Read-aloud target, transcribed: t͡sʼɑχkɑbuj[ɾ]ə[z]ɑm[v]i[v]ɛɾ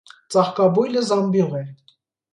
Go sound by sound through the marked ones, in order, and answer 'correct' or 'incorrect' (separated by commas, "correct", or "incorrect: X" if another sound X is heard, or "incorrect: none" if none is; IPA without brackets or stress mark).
incorrect: l, correct, incorrect: b, incorrect: ʁ